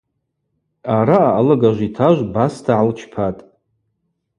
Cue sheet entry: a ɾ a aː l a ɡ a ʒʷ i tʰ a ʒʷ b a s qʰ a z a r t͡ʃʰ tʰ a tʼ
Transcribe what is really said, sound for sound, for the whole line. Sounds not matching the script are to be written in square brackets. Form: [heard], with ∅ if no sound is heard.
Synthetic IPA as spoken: a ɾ a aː l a ɡ a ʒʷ i tʰ a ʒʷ b a s [tʰ] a [ʕ] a [l] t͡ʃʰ [pʰ] a tʼ